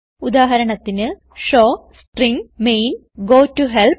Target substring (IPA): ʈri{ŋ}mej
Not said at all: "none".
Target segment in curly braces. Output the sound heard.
ŋ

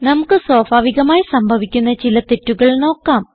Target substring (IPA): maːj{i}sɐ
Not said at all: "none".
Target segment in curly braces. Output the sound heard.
i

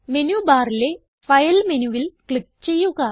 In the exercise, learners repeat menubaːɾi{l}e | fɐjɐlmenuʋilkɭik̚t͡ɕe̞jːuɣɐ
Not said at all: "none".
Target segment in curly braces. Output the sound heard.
l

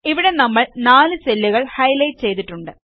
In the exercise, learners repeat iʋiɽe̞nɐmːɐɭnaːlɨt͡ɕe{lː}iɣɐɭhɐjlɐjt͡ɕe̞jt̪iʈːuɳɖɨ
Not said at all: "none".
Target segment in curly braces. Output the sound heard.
lː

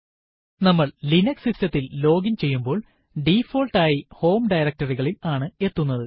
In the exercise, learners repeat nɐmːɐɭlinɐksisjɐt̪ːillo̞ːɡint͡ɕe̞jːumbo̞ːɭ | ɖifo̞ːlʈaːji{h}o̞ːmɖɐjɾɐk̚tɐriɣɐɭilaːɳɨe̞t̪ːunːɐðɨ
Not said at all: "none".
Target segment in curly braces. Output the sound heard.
h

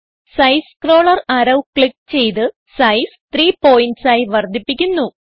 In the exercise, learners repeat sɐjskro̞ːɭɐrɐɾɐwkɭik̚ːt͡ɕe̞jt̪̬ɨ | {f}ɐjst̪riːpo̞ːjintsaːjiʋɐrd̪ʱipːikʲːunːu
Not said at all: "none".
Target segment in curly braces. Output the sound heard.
s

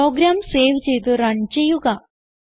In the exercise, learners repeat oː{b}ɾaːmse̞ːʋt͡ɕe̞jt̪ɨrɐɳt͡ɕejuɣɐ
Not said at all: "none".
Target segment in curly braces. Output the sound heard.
ɡ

